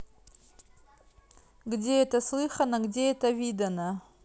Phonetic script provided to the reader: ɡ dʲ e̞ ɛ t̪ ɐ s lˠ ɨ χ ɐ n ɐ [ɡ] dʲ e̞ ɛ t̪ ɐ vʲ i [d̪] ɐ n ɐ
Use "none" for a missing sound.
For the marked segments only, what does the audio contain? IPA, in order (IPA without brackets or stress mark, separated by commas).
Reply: ɡ, d̪